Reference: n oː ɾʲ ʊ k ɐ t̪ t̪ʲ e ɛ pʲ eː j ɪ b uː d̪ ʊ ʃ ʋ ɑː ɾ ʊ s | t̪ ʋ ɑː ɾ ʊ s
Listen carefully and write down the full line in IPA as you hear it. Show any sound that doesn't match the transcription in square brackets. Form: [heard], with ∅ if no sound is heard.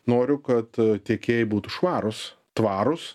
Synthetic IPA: n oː ɾʲ ʊ k ɐ t̪ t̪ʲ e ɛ [kʲ] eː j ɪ b uː [t̪] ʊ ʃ ʋ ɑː ɾ ʊ s | t̪ ʋ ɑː ɾ ʊ s